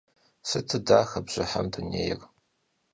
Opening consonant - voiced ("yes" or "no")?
no